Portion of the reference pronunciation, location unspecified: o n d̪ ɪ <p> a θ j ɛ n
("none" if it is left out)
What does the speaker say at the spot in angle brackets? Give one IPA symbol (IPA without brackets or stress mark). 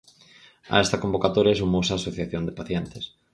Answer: p